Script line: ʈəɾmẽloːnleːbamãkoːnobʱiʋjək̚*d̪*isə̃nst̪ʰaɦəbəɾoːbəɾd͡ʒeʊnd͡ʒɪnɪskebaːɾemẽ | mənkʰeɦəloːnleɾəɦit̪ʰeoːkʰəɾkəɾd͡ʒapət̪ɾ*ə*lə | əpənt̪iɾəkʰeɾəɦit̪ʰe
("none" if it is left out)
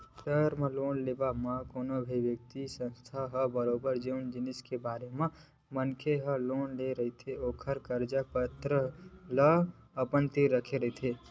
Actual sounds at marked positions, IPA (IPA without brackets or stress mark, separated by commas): t̪, ə